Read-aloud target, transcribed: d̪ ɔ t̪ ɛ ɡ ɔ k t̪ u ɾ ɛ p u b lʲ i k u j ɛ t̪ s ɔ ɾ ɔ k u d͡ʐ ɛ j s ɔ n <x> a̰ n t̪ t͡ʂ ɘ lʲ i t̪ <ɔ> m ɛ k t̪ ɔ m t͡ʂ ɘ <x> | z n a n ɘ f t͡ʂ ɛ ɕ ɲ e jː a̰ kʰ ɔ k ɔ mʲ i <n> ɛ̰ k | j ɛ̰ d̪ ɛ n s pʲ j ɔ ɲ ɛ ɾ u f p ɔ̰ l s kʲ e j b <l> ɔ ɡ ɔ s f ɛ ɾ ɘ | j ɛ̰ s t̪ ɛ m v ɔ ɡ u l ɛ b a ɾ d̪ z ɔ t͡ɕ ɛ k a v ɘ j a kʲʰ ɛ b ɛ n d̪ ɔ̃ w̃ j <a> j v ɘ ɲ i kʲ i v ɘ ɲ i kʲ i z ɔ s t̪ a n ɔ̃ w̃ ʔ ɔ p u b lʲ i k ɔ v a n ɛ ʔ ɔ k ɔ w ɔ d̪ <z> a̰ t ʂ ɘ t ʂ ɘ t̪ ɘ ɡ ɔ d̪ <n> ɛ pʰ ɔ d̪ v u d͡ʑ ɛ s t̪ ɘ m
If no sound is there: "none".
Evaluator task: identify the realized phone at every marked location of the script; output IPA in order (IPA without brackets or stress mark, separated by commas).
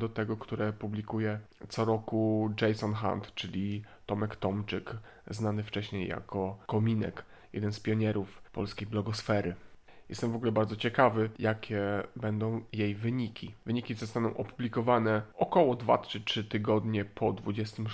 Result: x, ɔ, k, n, l, e, v, ɲ